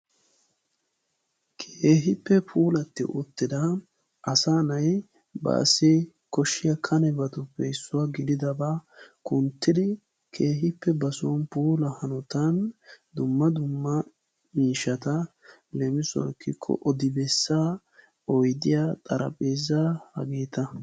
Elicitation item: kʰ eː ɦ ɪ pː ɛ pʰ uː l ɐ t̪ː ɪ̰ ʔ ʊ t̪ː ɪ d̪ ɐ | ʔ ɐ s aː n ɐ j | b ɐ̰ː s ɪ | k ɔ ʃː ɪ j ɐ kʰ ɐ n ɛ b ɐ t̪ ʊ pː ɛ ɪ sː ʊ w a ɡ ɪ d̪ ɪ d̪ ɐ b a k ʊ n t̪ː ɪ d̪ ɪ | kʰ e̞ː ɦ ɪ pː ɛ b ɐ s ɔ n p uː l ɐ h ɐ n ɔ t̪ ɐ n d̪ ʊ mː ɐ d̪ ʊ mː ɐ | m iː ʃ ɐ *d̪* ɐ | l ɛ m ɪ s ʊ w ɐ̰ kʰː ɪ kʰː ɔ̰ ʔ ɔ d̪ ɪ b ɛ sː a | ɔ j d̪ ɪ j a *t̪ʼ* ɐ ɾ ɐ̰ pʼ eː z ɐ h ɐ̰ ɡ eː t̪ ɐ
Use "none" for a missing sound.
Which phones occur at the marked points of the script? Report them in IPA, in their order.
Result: t̪, t̪ʼ

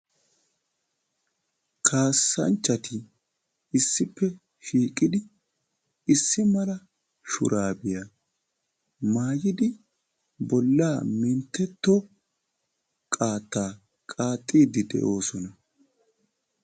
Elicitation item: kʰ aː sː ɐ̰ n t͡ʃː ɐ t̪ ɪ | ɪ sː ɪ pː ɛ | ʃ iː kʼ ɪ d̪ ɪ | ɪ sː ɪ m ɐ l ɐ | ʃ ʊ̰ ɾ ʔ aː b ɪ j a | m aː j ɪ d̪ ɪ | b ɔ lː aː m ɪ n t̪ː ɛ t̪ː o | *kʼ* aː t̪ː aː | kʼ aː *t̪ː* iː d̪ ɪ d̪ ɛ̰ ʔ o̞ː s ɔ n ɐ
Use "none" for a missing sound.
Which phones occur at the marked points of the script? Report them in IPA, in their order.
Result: kʼ, t̪ʼː

